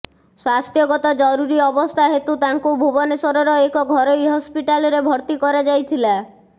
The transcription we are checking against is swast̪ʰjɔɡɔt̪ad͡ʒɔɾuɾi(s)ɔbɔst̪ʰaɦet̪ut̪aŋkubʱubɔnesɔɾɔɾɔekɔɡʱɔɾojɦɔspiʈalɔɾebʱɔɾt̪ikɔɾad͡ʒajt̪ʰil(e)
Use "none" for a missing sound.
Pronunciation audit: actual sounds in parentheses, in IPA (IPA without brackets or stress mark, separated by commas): none, a